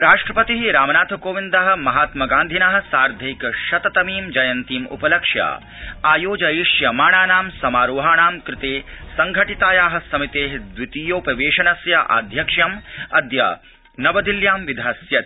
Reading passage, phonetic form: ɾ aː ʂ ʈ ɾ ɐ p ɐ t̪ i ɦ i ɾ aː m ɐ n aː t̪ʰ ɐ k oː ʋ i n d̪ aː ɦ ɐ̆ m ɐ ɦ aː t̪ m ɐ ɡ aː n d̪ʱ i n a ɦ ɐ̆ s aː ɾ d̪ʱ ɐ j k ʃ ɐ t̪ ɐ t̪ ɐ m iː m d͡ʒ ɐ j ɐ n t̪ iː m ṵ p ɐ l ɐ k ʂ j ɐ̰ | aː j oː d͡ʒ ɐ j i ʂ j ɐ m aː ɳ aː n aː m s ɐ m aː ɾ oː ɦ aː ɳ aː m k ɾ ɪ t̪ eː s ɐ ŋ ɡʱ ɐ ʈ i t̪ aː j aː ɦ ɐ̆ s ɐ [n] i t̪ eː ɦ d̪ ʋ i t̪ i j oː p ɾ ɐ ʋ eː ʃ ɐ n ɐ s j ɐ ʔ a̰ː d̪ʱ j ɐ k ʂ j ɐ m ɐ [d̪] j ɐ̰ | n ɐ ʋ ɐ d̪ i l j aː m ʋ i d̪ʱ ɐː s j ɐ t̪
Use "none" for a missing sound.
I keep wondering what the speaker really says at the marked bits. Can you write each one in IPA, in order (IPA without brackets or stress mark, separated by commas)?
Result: m, d̪